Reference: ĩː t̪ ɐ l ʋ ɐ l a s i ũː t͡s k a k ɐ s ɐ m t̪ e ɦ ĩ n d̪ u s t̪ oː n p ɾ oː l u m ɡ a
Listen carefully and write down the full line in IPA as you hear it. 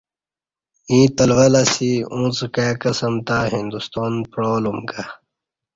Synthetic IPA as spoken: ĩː t̪ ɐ l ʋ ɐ l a s i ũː t͡s k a k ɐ s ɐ m t̪ a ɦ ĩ n d̪ u s t̪ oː n p ɾ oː l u m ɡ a